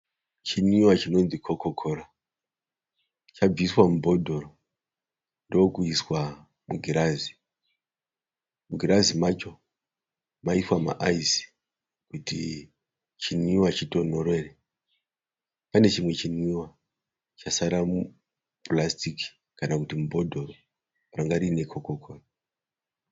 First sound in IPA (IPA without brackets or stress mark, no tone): t͡ʃ